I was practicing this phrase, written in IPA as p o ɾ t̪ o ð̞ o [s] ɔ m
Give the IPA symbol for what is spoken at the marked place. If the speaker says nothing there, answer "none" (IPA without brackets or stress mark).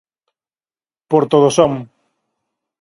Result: s